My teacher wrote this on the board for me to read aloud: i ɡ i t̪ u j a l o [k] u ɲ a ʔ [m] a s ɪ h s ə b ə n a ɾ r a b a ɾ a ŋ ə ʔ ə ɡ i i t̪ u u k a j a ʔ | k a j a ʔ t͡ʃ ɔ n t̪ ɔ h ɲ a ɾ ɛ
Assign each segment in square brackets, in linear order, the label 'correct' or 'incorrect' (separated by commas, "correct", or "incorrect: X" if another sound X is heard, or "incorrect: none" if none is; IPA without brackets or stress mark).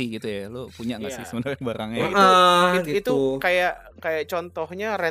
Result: incorrect: p, incorrect: ŋ